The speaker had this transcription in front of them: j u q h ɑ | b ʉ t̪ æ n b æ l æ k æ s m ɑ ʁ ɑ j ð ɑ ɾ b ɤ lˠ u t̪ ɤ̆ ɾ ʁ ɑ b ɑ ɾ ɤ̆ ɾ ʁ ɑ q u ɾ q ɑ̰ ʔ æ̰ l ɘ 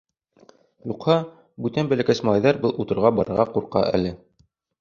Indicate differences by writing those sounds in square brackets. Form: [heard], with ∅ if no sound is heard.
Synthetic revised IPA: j u q h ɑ | b ʉ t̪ æ n b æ l æ k æ s m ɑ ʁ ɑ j ð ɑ ɾ b ɤ lˠ u t̪ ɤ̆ ɾ ʁ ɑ b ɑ ɾ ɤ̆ ɾ ʁ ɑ q u ɾ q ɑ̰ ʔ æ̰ l ɘ